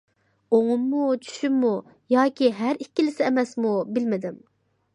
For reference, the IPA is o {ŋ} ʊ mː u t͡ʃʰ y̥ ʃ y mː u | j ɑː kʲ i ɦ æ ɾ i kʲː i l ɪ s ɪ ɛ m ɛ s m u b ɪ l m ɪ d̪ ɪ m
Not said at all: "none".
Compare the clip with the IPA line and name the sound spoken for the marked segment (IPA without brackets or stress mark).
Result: ŋ